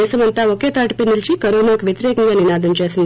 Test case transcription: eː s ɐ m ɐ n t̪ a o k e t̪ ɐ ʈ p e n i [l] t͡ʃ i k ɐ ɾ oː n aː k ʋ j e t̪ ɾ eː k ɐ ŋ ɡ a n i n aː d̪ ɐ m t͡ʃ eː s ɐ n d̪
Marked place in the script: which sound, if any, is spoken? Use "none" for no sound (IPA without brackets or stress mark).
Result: l